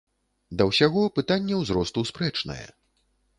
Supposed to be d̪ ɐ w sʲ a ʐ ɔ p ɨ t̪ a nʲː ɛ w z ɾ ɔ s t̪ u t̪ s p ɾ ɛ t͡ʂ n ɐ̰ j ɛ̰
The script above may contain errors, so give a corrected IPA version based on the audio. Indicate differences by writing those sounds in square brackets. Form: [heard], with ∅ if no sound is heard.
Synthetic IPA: d̪ ɐ w sʲ a [ɣ] ɔ p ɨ t̪ a nʲː ɛ w z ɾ ɔ s t̪ u [∅] s p ɾ ɛ t͡ʂ n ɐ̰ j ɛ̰